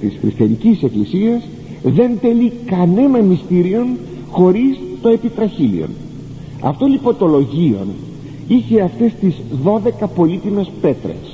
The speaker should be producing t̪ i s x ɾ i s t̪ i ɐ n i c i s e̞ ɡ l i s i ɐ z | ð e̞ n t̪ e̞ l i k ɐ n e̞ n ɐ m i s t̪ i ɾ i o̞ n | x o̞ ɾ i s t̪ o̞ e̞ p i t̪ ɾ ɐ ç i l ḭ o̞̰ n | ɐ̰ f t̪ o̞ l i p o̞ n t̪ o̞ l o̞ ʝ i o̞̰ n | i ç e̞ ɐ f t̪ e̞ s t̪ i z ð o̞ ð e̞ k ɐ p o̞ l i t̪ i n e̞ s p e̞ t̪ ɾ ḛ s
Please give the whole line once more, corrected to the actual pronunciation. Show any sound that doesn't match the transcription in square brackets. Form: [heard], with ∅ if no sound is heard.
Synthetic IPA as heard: t̪ i s x ɾ i s t̪ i ɐ n i c i s e̞ [k] l i s i ɐ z | ð e̞ n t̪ e̞ l i k ɐ n e̞ n ɐ m i s t̪ i ɾ i o̞ n | x o̞ ɾ i s t̪ o̞ e̞ p i t̪ ɾ ɐ ç i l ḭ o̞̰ n | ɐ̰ f t̪ o̞ l i p o̞ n t̪ o̞ l o̞ ʝ i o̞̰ n | i ç e̞ ɐ f t̪ e̞ s t̪ i z ð o̞ ð e̞ k ɐ p o̞ l i t̪ i [m] e̞ s p e̞ t̪ ɾ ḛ s